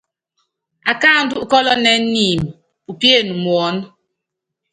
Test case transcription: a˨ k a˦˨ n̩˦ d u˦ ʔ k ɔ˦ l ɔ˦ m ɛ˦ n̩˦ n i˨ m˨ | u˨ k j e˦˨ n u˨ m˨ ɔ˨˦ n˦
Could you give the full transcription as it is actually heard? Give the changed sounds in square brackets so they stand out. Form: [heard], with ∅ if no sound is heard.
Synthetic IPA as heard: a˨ k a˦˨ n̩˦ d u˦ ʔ k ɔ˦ l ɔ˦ [n] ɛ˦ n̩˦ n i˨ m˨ | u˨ [p] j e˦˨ n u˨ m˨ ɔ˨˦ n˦